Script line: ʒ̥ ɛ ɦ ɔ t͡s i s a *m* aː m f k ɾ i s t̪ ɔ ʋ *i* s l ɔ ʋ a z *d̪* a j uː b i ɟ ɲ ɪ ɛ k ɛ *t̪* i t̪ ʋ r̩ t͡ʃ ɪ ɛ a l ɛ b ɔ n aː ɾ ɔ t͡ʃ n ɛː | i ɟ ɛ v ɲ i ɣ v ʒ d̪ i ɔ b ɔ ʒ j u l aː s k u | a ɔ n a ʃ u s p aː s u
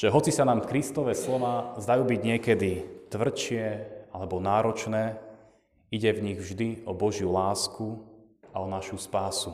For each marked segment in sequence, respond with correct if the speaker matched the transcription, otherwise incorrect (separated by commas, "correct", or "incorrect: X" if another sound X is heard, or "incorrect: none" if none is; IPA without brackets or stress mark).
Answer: incorrect: n, incorrect: ɛ, correct, incorrect: d̪